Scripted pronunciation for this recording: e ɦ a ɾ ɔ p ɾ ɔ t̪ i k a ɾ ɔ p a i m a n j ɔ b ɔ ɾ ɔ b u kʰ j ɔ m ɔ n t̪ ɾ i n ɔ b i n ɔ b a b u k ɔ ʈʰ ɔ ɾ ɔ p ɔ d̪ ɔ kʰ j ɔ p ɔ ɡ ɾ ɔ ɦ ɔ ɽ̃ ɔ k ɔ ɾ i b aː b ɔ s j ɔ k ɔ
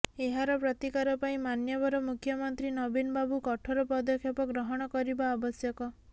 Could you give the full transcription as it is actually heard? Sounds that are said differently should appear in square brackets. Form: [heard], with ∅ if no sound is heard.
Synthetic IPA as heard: e ɦ a ɾ ɔ p ɾ ɔ t̪ i k a ɾ ɔ p a [ĩ] m a n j ɔ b ɔ ɾ ɔ [m] u kʰ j ɔ m ɔ n t̪ ɾ i n ɔ b i n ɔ b a b u k ɔ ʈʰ ɔ ɾ ɔ p ɔ d̪ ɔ kʰ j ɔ p ɔ ɡ ɾ ɔ ɦ ɔ ɽ̃ ɔ k ɔ ɾ i b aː b ɔ s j ɔ k ɔ